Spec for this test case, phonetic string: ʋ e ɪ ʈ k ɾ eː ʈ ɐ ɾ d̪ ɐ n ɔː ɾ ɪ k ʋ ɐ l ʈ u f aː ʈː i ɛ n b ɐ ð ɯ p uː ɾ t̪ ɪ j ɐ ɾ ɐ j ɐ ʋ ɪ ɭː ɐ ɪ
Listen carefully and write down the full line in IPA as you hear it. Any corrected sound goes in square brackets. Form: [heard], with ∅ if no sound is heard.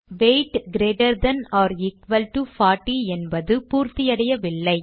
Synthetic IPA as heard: ʋ e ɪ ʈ [ɡ] ɾ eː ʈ ɐ ɾ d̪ ɐ n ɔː ɾ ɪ k ʋ ɐ l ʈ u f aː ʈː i ɛ n b ɐ ð ɯ p uː ɾ t̪ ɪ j ɐ [ɽ] ɐ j ɐ ʋ ɪ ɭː ɐ ɪ